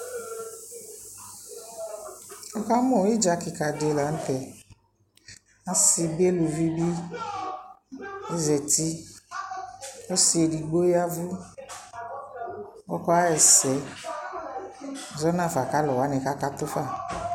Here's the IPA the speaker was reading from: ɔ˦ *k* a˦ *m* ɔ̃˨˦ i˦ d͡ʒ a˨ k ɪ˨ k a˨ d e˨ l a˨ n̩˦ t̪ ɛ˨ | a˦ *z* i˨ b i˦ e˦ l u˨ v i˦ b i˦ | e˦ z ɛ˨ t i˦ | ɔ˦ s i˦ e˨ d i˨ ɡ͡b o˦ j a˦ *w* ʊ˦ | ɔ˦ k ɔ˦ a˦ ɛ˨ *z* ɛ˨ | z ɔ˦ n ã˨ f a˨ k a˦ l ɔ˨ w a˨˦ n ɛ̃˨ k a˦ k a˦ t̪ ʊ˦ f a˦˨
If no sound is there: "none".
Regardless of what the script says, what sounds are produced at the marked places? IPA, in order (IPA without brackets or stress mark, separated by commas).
k, m, s, v, s